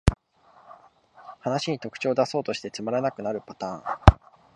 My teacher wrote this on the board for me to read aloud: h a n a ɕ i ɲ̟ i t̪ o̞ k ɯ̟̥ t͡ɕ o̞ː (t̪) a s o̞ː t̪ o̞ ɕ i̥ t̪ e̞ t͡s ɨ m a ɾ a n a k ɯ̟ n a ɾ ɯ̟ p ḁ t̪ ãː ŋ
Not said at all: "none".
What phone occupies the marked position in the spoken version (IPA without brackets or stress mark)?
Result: d̪